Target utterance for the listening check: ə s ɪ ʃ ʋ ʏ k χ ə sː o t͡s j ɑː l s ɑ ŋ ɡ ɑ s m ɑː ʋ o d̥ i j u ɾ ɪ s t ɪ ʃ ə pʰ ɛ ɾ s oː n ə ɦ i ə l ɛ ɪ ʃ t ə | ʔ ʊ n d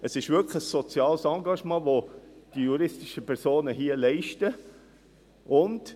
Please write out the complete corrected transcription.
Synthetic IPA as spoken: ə s ɪ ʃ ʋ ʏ k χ ə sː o t͡s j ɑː l s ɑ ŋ ɡ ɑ ʃ m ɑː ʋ o d̥ i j u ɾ ɪ s t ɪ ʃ ə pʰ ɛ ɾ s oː n ə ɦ i ə l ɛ ɪ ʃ t ə | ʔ ʊ n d